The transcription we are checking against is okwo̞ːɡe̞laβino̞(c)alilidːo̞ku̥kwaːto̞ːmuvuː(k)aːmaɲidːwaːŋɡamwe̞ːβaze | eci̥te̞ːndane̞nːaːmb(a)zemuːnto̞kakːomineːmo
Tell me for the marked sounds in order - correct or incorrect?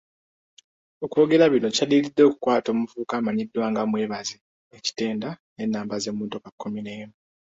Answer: correct, correct, correct

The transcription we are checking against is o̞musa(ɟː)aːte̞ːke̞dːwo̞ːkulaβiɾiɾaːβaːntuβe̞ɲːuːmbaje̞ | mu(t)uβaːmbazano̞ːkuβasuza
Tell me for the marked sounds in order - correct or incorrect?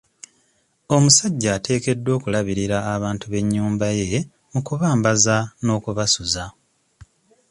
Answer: correct, incorrect: k

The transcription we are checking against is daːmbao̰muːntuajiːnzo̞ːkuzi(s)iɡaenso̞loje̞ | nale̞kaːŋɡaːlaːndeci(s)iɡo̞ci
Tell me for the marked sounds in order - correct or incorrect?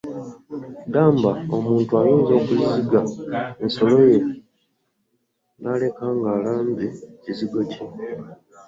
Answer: incorrect: z, incorrect: z

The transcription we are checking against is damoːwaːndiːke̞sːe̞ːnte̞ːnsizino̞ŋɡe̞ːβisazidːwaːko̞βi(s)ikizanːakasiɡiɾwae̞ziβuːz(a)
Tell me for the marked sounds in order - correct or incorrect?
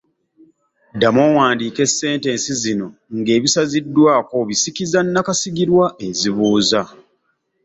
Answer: correct, correct

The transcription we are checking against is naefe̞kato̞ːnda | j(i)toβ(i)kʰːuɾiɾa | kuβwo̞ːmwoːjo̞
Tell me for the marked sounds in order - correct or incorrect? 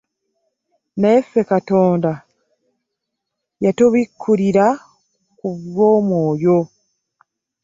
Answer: incorrect: a, correct

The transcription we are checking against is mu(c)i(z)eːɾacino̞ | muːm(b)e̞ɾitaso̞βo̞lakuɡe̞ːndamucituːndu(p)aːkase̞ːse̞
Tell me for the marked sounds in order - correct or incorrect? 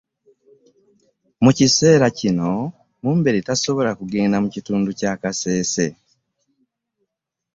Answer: correct, incorrect: s, correct, incorrect: c

